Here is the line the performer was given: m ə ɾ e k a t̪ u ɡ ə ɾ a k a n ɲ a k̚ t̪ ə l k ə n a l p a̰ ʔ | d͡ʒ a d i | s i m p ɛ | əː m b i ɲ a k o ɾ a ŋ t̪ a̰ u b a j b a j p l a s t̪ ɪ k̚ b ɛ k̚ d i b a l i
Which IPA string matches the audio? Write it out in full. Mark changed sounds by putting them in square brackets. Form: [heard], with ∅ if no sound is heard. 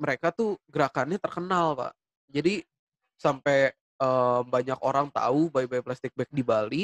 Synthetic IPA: m ə ɾ e k a t̪ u ɡ ə ɾ a k a n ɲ a [∅] t̪ ə [r] k ə n a l p a̰ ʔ | d͡ʒ a d i | s [a] m p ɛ | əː m b [a] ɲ a k o ɾ a ŋ t̪ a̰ u b a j b a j p l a s t̪ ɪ k̚ b ɛ k̚ d i b a l i